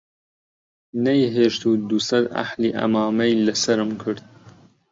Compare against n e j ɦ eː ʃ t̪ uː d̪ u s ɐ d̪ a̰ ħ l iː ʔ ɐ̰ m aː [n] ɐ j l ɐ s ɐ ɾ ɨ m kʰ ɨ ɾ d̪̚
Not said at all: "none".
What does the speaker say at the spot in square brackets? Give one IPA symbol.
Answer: m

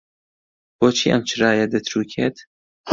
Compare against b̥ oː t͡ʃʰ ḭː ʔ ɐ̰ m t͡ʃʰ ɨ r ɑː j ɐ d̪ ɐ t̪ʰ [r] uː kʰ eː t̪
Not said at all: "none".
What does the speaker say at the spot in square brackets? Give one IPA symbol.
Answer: ɾ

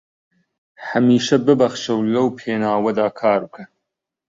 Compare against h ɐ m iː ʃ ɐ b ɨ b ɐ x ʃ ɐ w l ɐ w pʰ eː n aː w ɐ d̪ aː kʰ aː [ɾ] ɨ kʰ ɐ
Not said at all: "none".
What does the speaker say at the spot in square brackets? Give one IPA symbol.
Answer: ɾ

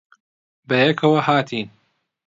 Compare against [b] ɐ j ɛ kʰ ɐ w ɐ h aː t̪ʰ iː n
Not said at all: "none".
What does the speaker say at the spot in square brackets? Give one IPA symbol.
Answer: b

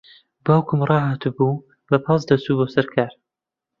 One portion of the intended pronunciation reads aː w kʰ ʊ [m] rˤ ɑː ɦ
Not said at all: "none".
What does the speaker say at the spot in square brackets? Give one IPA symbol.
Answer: m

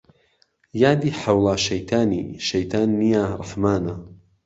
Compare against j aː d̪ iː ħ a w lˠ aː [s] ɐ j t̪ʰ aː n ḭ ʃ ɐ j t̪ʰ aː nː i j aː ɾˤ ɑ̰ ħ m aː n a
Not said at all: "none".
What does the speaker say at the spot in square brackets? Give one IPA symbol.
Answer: ʃ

